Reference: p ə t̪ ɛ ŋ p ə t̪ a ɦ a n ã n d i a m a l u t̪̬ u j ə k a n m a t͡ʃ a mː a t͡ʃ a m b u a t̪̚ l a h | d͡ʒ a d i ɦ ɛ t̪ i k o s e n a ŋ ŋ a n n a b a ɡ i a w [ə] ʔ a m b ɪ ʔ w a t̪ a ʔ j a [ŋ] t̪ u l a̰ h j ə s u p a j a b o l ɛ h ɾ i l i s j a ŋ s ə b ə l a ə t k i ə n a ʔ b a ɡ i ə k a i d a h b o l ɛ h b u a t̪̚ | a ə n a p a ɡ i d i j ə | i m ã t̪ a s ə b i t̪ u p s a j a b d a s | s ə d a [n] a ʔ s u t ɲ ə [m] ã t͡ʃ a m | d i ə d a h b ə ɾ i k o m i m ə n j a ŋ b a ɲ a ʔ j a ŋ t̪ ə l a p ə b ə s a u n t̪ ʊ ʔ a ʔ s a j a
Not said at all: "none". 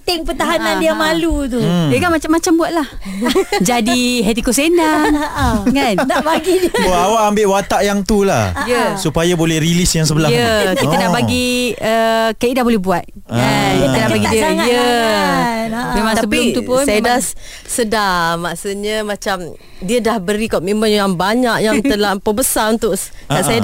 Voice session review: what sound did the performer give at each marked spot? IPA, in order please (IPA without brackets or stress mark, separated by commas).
a, ŋ, m, m